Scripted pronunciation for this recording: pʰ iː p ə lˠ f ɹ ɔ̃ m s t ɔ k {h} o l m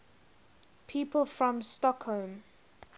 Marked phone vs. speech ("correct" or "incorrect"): correct